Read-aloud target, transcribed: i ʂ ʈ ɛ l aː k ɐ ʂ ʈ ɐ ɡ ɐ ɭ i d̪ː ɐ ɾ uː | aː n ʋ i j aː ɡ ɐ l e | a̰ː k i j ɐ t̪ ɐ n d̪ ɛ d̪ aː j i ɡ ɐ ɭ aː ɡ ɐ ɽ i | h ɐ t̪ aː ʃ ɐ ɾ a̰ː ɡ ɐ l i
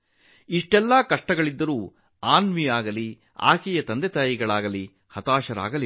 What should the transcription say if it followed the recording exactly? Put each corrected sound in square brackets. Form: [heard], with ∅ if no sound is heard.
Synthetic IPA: i ʂ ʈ ɛ [lː] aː k ɐ ʂ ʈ ɐ ɡ ɐ ɭ i d̪ː ɐ ɾ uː | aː n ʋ i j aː ɡ ɐ l [i] | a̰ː k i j ɐ t̪ ɐ n d̪ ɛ [t̪] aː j i ɡ ɐ ɭ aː ɡ ɐ [l] i | h ɐ t̪ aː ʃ ɐ ɾ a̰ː ɡ ɐ l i